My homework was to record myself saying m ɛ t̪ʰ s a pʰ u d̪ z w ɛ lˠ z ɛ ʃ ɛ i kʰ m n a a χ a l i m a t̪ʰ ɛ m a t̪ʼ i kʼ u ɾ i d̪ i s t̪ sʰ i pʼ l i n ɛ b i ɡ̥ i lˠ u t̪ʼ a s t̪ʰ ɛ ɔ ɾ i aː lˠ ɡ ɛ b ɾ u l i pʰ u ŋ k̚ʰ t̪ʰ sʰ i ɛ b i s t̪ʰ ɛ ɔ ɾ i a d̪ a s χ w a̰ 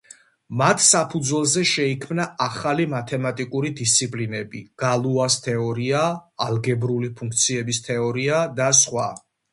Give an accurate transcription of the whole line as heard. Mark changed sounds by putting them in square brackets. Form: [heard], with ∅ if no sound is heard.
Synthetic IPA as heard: m [a] t̪ʰ s a pʰ u d̪ z w ɛ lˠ z ɛ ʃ ɛ i kʰ m n a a χ a l i m a t̪ʰ ɛ m a t̪ʼ i kʼ u ɾ i d̪ i s t̪ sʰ i pʼ l i n ɛ b i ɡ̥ [a] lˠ u [∅] a s t̪ʰ ɛ ɔ ɾ i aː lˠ ɡ ɛ b ɾ u l i pʰ u ŋ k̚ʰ [t̪] sʰ i ɛ b i s t̪ʰ ɛ ɔ ɾ i a d̪ a s χ w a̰